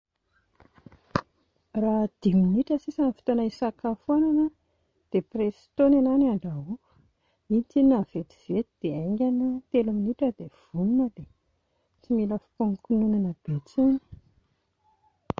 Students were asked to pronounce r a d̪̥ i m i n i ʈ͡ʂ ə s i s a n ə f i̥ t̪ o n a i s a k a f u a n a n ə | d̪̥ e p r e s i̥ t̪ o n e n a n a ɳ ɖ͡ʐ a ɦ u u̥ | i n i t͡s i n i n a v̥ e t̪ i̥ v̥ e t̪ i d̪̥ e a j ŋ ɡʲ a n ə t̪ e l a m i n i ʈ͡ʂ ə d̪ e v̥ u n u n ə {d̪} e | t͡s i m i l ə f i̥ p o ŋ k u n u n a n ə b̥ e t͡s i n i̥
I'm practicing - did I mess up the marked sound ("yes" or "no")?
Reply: no